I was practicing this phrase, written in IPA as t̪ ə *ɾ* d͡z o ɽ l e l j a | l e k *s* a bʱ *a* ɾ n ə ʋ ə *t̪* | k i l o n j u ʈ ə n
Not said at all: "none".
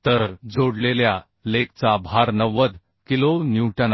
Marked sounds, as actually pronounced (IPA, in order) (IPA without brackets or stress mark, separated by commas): ɾ, t͡s, a, d̪